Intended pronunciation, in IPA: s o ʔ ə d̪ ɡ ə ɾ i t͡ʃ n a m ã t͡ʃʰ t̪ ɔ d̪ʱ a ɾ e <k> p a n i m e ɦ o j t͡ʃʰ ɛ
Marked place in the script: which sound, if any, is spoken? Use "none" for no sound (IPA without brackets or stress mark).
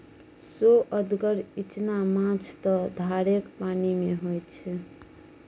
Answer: k